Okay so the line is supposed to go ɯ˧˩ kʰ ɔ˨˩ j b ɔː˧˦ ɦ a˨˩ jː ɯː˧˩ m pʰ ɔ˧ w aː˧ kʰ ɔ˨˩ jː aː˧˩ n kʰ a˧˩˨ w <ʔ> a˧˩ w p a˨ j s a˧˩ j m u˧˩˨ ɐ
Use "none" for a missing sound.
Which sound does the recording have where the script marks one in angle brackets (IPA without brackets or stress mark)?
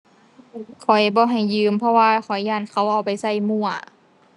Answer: ʔ